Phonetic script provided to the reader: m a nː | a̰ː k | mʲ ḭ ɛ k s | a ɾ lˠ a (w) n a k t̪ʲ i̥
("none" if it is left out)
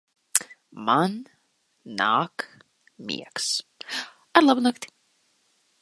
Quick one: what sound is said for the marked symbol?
b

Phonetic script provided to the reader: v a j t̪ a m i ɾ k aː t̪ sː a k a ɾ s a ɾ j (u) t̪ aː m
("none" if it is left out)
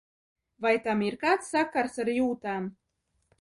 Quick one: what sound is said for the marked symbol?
uː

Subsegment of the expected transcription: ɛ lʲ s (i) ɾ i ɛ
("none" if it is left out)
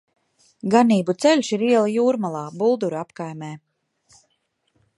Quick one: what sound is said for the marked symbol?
i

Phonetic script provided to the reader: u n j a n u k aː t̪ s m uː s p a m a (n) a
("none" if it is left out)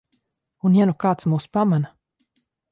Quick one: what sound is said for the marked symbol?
n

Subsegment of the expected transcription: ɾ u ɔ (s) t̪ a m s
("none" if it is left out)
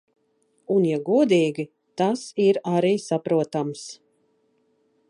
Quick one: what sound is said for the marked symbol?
none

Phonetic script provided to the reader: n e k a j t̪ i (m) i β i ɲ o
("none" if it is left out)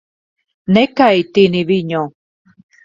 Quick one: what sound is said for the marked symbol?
n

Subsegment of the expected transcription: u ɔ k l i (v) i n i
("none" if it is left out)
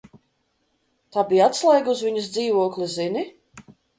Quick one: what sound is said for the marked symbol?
z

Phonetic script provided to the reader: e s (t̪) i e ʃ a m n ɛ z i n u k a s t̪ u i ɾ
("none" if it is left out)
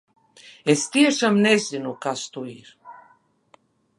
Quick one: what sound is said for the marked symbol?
t̪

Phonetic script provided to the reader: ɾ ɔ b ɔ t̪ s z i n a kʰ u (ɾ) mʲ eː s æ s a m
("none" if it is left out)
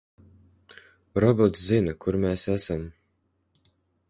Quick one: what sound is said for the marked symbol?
ɾ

